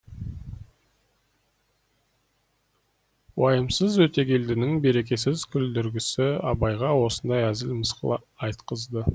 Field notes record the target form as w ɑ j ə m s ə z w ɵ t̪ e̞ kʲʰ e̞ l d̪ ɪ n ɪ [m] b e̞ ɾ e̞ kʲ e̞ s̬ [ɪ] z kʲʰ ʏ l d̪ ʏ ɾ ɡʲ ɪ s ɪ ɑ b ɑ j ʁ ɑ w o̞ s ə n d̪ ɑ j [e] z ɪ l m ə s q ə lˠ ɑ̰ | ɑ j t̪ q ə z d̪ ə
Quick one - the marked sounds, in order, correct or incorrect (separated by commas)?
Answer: incorrect, correct, incorrect